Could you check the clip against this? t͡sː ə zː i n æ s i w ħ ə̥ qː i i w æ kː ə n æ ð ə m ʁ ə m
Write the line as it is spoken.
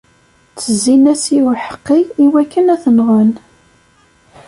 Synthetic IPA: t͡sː ə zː i n æ s i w ħ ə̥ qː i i w æ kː ə n æ θ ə n ʁ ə n

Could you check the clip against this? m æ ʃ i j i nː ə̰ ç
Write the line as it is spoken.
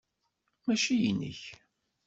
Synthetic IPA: m æ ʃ i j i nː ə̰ ç

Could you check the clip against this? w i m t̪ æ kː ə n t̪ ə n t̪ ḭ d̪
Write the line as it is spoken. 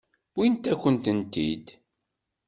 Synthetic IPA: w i n t̪ æ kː ə n t̪ ə n t̪ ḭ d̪

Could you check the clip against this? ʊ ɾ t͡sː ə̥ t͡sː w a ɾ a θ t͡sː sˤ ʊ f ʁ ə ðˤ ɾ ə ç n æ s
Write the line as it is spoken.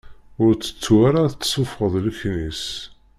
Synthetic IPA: ʊ ɾ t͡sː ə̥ t͡sː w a ɾ a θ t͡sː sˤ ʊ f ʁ ə ðˤ l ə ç n i s

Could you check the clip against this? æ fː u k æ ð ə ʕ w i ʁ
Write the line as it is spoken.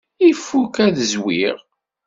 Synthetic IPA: i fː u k æ ð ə z w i ʁ

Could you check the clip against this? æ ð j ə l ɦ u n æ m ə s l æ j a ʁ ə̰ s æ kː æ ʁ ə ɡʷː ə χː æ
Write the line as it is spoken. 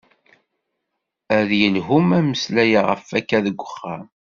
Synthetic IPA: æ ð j ə l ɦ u m æ m ə s l æ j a ʁ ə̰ f æ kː æ ð ə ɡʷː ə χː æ

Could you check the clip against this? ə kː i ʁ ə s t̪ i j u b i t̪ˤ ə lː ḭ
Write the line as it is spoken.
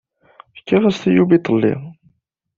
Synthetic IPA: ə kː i ʁ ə s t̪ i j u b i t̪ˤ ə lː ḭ

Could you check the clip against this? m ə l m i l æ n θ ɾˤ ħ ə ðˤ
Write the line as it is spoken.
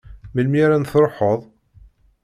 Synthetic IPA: m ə l m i ɾ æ n θ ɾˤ ħ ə ðˤ

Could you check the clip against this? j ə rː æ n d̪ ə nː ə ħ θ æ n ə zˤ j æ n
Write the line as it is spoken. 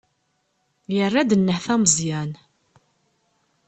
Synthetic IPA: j ə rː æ d̪ ə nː ə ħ θ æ m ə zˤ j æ n

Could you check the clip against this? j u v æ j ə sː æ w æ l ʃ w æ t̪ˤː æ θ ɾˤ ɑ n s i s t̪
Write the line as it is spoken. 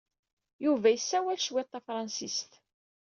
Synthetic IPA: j u v æ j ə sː æ w æ l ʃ w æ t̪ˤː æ f ɾˤ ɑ n s i s t̪

